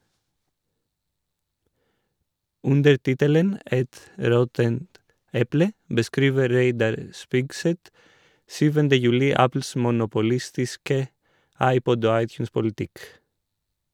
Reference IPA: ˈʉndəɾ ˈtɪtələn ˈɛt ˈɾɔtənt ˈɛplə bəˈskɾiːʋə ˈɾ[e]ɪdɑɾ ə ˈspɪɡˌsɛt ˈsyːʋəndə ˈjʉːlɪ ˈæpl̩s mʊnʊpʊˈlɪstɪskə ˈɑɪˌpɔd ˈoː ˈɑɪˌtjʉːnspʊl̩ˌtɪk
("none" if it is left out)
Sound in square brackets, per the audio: e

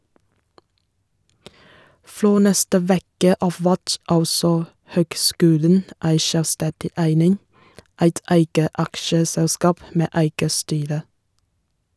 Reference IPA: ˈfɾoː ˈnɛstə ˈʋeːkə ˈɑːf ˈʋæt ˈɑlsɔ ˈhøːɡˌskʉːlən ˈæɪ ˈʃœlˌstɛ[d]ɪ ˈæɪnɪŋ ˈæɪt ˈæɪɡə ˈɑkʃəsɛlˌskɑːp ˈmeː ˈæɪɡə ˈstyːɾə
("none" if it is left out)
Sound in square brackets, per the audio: d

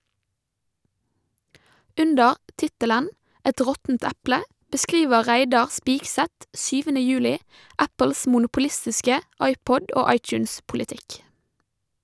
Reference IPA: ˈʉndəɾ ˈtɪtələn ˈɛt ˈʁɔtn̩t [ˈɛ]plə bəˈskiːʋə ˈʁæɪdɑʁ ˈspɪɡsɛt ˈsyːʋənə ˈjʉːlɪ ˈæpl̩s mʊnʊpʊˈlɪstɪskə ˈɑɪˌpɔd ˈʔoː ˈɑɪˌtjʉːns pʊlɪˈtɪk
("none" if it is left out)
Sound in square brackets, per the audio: æ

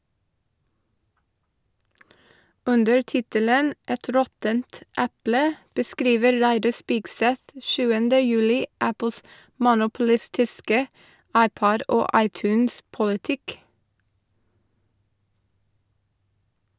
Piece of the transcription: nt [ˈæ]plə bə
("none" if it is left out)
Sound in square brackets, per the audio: æ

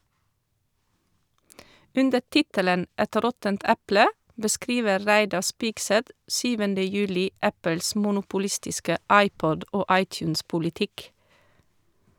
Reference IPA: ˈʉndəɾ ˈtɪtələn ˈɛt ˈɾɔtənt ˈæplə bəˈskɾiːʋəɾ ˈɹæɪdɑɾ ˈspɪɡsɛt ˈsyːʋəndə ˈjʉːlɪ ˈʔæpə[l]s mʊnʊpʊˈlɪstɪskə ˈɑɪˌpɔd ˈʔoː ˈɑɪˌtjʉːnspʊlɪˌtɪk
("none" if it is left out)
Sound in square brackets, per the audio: l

